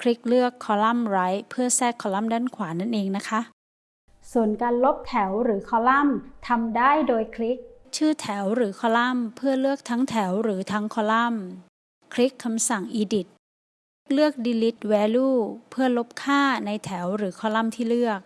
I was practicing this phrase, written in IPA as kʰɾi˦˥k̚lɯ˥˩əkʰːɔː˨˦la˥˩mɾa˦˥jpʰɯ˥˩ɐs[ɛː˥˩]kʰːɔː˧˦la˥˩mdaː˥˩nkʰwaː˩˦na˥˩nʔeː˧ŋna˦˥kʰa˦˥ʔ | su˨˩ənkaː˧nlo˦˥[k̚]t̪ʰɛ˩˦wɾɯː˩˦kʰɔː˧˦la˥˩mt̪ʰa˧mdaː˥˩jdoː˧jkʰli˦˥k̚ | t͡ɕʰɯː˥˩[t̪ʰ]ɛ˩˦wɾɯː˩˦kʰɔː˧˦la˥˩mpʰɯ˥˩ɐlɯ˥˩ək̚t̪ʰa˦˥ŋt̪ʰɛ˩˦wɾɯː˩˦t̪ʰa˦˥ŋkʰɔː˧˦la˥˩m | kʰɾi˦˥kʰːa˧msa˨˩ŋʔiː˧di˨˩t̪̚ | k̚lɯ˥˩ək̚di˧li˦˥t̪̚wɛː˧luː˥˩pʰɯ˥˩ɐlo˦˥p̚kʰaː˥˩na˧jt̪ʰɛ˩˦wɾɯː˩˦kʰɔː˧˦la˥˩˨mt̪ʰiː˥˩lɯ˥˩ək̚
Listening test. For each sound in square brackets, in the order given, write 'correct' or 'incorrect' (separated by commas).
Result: correct, incorrect, correct